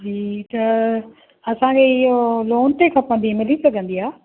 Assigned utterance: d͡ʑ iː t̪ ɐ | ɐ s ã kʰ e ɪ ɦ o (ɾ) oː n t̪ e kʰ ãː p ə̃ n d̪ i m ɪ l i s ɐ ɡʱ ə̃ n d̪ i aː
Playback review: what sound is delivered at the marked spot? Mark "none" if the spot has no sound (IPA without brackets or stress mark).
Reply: l